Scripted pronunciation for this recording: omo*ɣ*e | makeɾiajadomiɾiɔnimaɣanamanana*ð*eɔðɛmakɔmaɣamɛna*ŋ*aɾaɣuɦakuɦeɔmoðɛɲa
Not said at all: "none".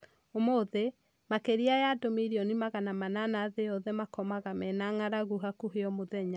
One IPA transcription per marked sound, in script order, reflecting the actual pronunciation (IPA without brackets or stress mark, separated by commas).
ð, ð, ŋ